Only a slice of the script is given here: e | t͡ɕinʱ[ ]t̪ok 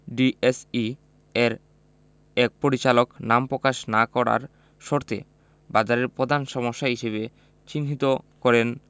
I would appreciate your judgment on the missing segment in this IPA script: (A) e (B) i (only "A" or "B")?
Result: B